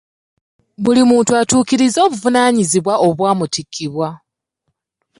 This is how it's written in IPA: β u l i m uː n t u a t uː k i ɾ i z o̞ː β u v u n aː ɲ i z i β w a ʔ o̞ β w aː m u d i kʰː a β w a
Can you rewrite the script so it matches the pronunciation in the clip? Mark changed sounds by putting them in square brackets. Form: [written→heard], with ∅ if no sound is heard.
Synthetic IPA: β u l i m uː n t u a t uː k i ɾ i z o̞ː β u v u n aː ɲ i z i β w a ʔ o̞ β w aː m u [d→t] i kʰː [a→i] β w a

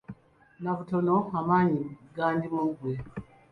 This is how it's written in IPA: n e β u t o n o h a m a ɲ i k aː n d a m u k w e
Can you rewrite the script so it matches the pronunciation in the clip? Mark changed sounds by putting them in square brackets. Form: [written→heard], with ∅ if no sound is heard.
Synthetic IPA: n [e→a] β u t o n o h a m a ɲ i [k→ɡ] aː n d [a→i] m u [k→ɡ] w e

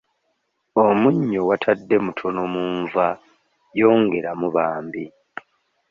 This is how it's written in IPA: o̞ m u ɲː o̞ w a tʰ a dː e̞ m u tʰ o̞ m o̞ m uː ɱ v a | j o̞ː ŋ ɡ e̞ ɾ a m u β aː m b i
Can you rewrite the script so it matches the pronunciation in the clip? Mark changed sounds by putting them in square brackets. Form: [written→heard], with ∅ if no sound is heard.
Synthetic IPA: o̞ m u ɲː o̞ w a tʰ a dː e̞ m u tʰ o̞ [m→n] o̞ m uː ɱ v a | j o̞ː ŋ ɡ e̞ ɾ a m u β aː m b i

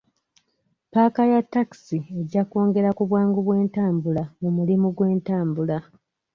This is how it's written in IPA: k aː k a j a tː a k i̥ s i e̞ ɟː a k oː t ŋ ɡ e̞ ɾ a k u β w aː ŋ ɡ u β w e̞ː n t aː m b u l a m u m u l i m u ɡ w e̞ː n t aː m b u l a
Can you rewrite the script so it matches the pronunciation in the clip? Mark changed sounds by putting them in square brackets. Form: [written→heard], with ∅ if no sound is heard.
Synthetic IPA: [k→p] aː k a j a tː a k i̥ s i e̞ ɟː a k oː [t→∅] ŋ ɡ e̞ ɾ a k u β w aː ŋ ɡ u β w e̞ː n t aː m b u l a m u m u l i m u ɡ w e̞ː n t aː m b u l a

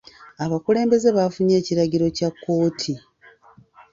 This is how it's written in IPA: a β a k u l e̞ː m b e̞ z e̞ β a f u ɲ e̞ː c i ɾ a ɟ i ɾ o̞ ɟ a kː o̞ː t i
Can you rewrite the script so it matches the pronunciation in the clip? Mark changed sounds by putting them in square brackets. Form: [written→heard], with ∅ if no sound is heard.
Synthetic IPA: a β a k u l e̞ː m b e̞ z e̞ β a f u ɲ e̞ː c i ɾ a ɟ i ɾ o̞ [ɟ→c] a kː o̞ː [t→tʰ] i

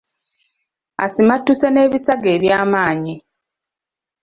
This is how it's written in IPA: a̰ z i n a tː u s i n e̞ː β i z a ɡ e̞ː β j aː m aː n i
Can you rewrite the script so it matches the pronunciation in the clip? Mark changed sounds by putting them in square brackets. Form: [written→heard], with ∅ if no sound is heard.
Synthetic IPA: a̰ [z→s] i [n→m] a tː u s [i→e] n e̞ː β i [z→s] a ɡ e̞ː β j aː m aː [n→ɲ] i

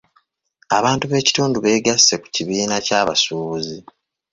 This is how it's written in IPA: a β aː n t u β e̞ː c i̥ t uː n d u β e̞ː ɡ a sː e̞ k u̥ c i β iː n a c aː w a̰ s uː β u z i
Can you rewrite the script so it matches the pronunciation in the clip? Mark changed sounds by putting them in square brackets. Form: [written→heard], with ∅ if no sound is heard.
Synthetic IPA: a β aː n t u β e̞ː c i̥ t uː n d u β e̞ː ɡ a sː e̞ k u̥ c i β iː n a c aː [w→β] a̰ s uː β u z i

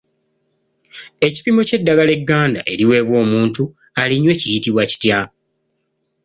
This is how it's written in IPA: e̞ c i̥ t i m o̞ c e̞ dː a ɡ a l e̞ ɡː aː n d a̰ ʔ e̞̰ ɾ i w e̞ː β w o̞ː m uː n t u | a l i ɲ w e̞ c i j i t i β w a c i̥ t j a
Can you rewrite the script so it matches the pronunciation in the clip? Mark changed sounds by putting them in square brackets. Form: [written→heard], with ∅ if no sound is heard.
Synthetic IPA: e̞ c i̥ [t→p] i m o̞ c e̞ dː a ɡ a l e̞ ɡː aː n d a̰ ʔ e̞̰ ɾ i w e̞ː β w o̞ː m uː n t u | a l i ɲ w e̞ c i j i t i β w a c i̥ t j a

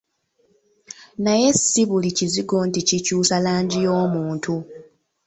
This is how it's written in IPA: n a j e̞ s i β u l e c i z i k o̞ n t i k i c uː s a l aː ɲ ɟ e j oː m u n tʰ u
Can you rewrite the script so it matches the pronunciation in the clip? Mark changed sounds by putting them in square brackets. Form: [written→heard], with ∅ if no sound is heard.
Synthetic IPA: n a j e̞ s i β u l [e→i] c i z i [k→ɡ] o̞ n t i [k→c] i c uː s a l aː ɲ ɟ [e→i] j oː m [u→uː] n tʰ u

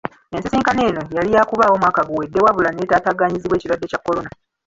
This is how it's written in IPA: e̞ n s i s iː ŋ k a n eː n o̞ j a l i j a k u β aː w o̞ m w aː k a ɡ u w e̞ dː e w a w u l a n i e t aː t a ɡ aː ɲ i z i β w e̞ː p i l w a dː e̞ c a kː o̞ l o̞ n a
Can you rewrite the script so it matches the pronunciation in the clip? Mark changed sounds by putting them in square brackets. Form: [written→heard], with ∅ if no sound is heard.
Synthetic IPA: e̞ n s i s iː ŋ k a n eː n o̞ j a l i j a k u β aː w o̞ m w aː k a ɡ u w e̞ dː e w a [w→β] u l a n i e t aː t a ɡ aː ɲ i z i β w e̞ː [p→c] i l w a dː e̞ c a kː o̞ l o̞ n a

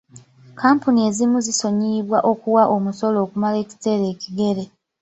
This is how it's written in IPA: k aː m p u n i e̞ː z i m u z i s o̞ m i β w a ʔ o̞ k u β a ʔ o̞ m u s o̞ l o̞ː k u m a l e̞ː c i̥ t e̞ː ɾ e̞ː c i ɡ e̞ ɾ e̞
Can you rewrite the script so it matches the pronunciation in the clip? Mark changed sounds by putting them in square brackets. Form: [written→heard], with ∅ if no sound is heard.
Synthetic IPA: k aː m p u n i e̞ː z i m u z i s o̞ [m→ɲ] i β w a ʔ o̞ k u [β→w] a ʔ o̞ m u s o̞ l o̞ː k u m a l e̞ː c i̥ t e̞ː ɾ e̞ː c i ɡ e̞ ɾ e̞

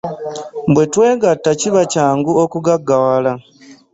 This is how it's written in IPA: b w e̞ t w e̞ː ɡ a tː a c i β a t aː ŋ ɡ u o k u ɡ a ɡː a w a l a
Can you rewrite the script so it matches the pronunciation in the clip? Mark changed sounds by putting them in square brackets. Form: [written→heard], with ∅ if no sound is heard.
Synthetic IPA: b w e̞ t w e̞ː ɡ a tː a c i β a [t→c] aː ŋ ɡ u o k u ɡ a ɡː a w a l a

